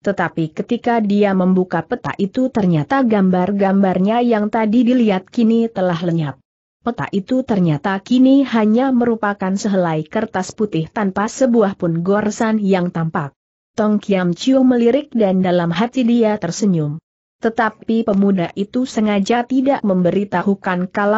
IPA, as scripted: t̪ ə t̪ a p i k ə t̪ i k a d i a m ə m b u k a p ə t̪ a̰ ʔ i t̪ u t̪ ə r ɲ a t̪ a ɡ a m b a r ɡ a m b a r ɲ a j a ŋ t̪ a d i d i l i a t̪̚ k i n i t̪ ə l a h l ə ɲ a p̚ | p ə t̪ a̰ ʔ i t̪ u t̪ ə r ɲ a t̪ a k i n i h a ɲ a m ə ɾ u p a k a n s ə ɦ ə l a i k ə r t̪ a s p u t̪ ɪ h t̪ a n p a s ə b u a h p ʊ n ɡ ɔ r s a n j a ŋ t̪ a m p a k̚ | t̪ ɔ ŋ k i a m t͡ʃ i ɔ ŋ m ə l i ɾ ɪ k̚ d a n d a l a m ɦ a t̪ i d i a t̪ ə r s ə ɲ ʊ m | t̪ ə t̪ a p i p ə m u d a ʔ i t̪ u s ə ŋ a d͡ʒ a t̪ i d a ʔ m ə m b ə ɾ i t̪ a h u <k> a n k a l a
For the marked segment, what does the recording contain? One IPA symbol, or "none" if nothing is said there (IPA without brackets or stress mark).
k